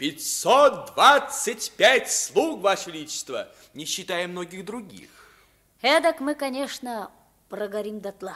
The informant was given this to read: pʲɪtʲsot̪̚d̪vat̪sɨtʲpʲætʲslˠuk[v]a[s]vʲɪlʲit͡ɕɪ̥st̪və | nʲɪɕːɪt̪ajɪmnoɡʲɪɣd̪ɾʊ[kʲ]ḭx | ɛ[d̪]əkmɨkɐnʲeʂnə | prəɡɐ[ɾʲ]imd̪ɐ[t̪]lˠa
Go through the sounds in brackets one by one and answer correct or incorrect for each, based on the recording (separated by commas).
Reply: correct, incorrect, incorrect, correct, correct, correct